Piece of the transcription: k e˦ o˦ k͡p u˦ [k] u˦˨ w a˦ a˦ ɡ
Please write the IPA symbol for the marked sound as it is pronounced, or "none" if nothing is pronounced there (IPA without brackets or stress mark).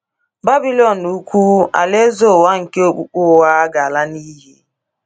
k͡p